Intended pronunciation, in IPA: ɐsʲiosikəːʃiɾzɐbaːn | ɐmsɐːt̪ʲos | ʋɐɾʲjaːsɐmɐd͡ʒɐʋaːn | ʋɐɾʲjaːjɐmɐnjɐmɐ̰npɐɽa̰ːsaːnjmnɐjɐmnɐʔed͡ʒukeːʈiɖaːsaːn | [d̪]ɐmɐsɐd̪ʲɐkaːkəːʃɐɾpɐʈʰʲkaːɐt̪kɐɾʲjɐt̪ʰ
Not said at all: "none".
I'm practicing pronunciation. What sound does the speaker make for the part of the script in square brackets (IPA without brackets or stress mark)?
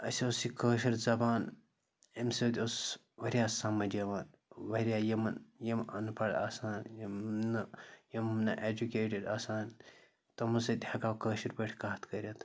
t̪